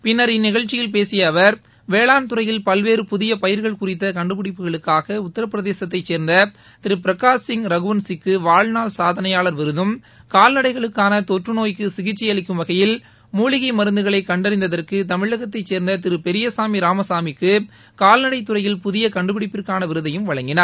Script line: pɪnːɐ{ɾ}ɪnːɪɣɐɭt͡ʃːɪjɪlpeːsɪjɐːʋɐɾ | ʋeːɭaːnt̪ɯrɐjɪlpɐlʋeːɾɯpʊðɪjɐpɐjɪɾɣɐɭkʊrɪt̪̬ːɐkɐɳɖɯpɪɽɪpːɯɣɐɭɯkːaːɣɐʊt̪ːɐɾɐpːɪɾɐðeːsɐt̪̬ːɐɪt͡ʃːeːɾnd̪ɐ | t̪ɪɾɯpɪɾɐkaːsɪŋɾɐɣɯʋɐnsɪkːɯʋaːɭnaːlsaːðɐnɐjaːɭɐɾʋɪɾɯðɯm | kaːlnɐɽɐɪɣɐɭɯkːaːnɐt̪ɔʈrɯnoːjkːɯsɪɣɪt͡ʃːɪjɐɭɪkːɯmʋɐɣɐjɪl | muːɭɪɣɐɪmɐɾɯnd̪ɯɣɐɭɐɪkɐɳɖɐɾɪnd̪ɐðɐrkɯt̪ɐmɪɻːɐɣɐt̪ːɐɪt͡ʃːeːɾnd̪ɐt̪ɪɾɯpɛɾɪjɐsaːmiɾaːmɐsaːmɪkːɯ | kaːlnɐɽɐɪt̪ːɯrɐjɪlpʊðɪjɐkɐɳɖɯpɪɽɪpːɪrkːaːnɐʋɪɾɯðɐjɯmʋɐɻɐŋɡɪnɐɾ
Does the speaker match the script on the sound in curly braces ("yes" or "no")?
yes